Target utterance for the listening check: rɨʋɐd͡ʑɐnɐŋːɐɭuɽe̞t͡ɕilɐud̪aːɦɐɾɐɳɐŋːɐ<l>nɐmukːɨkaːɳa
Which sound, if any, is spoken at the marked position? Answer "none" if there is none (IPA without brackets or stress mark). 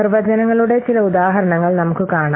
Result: ɭ